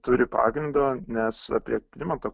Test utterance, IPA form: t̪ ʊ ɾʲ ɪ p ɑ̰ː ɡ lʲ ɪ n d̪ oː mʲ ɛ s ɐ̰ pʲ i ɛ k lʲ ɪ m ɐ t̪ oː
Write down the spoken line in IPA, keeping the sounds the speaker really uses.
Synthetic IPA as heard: t̪ ʊ ɾʲ ɪ p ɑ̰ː ɡ ɾʲ ɪ n d̪ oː nʲ ɛ s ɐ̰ pʲ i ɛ k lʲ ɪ m ɐ t̪ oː